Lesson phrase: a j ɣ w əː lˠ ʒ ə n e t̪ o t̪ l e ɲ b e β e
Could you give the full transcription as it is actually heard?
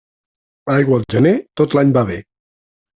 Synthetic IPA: a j ɣ w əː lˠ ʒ ə n e t̪ o t̪ l a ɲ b a β e

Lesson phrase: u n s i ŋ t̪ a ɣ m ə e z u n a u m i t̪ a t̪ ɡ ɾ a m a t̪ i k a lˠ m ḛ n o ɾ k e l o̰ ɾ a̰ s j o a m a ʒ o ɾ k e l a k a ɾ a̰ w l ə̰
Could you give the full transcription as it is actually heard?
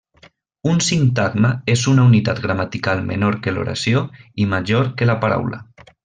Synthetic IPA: u n s i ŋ t̪ a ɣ m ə e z u n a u n i t̪ a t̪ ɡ ɾ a m a t̪ i k a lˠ m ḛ n o ɾ k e l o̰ ɾ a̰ s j o i m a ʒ o ɾ k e l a p a ɾ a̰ w l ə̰

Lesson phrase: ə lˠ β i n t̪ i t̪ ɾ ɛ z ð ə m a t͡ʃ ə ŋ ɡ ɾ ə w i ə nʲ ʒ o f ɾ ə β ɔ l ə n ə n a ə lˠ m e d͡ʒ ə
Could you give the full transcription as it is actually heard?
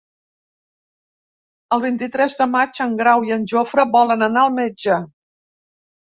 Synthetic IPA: ə lˠ β i n t̪ i t̪ ɾ ɛ z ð ə m a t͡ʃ ə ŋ ɡ ɾ a w i ə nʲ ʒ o f ɾ ə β ɔ l ə n ə n a ə lˠ m e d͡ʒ ə

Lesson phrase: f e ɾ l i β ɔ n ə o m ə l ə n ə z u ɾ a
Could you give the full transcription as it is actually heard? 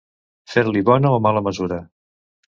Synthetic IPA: f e ɾ l i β ɔ n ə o m a l ə m ə z u ɾ ə

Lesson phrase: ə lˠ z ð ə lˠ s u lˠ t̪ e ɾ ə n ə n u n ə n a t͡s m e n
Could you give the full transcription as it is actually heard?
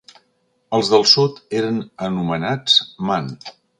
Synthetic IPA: ə lˠ z ð ə lˠ s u t̪ e ɾ ə n ə n u m ə n a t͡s m a n

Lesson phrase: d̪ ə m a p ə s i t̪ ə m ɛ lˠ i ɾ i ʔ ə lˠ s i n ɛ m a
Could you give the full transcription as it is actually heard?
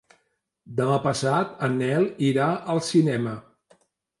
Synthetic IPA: d̪ ə m a p ə s a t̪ ə n ɛ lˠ i ɾ a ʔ ə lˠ s i n ɛ m ə

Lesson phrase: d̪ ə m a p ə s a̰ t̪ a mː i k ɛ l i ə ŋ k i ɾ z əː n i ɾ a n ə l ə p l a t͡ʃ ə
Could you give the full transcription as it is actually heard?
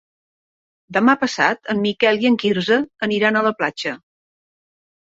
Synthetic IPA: d̪ ə m a p ə s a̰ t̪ ə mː i k ɛ l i ə ŋ k i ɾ z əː n i ɾ a n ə l ə p l a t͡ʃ ə

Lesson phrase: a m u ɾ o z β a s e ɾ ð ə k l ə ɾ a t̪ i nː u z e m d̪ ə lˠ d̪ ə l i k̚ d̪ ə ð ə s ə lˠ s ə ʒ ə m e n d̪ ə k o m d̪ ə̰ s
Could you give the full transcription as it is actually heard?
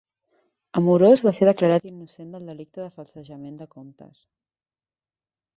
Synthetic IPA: ə m u ɾ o z β a s e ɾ ð ə k l ə ɾ a t̪ i nː u s e n d̪ ə lˠ d̪ ə l i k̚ t̪ ə ð ə f ə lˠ s ə ʒ ə m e n d̪ ə k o m t̪ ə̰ s

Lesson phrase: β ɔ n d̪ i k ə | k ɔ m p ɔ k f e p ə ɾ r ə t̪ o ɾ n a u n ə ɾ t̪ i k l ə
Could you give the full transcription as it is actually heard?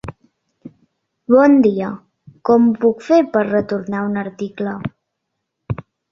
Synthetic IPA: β ɔ n d̪ i ə | k ɔ m p u k f e p ə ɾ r ə t̪ u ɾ n a u n ə ɾ t̪ i k l ə

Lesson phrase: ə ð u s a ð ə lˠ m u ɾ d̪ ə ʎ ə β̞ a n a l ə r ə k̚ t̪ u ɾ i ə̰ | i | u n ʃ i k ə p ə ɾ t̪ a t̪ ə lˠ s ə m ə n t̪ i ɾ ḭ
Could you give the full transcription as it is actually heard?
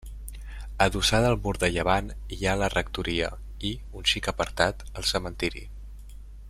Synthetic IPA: ə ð u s a ð ə lˠ m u ɾ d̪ ə ʎ ə β̞ a n a l ə r ə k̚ t̪ u ɾ i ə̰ | i | u n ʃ i k ə p ə ɾ t̪ a t̪ ə lˠ s ə m ə n t̪ i ɾ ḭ

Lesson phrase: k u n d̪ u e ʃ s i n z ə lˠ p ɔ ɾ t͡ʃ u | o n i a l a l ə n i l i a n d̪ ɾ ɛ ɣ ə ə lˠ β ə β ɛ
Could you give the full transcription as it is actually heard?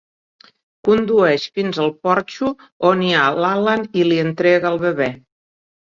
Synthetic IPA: k u n d̪ u ɛ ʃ f i n z ə lˠ p ɔ ɾ t͡ʃ u | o n i a l a l ə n i l i ə n t̪ ɾ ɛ ɣ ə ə lˠ β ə β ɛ

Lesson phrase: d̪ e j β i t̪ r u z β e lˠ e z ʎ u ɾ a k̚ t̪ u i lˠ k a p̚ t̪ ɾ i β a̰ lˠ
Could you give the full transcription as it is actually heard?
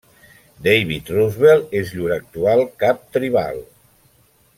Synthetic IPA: d̪ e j β i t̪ r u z β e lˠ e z ʎ u ɾ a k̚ t̪ u a lˠ k a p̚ t̪ ɾ i β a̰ lˠ

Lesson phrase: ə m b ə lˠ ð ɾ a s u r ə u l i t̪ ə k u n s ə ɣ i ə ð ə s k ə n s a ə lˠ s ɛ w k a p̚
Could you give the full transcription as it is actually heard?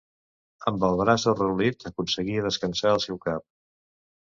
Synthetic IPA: ə m b ə lˠ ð ɾ a s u r ə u l i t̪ ə k u n s ə ɣ i ə ð ə s k ə n s a ə lˠ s ɛ w k a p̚

